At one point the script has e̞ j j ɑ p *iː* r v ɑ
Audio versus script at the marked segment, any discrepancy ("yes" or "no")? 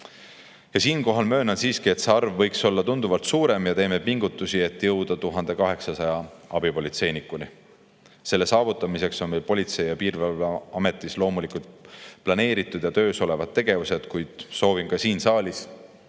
no